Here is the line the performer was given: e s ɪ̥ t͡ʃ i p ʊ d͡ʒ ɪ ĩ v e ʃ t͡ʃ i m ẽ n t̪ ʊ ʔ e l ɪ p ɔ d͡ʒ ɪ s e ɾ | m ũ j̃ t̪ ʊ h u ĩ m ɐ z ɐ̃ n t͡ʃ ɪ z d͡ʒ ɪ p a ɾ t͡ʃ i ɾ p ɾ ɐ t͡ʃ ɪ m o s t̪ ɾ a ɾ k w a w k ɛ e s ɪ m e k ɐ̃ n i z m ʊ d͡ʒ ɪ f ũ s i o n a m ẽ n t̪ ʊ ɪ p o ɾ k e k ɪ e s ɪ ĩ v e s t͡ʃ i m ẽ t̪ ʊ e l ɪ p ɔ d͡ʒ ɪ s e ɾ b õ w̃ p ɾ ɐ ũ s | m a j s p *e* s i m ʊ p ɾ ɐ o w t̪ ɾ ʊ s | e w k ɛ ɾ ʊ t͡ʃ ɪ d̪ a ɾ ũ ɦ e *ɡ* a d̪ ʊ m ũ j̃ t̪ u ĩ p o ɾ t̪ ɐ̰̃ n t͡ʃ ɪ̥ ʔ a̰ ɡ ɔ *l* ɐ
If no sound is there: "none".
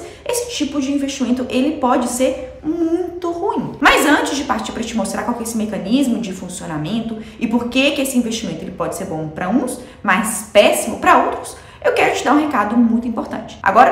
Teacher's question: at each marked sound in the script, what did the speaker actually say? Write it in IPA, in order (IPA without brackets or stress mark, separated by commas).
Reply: ɛ, k, ɾ